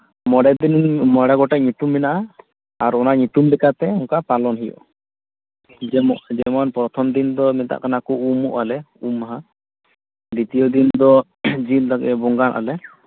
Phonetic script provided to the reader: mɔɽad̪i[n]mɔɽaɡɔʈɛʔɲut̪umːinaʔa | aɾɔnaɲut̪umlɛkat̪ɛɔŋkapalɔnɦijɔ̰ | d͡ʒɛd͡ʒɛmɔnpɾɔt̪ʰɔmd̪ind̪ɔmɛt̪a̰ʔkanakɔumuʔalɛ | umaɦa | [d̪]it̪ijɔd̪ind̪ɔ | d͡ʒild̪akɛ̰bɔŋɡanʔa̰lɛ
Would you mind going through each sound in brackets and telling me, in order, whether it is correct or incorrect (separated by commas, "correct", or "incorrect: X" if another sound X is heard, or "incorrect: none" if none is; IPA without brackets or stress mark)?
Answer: correct, correct